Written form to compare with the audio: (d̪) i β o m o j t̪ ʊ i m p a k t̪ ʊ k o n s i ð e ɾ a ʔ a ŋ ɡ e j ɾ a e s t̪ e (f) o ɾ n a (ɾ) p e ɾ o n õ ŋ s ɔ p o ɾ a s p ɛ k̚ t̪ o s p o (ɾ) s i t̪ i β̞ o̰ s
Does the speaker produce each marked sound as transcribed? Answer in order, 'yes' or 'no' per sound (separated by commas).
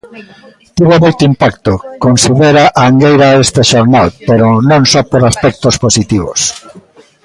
no, no, no, no